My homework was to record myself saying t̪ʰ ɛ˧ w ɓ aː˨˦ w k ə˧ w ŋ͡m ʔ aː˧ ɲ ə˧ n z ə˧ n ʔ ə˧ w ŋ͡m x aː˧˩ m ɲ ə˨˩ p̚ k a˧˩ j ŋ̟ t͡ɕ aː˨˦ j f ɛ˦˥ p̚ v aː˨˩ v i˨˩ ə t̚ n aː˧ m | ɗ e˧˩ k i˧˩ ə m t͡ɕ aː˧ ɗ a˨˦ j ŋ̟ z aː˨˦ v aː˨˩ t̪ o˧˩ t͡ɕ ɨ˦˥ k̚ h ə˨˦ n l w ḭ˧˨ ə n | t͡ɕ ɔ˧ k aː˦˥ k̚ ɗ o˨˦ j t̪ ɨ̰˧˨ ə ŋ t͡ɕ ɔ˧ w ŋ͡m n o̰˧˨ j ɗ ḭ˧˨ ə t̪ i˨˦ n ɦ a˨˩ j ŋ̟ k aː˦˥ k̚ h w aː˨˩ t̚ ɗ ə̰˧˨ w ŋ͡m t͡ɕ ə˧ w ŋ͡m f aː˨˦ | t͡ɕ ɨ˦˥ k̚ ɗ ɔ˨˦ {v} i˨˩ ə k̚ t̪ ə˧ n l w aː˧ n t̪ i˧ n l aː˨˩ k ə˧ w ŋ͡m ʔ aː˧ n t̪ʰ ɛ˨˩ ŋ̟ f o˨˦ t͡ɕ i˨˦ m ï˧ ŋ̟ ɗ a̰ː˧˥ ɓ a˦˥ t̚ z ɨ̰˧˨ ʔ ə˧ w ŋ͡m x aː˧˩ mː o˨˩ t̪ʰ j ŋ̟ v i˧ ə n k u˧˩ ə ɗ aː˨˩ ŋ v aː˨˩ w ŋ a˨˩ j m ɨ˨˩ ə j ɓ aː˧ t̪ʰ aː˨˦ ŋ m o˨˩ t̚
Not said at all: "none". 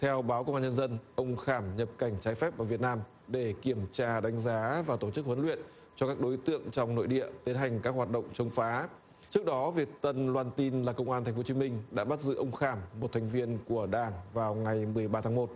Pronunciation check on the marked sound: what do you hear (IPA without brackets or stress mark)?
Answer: v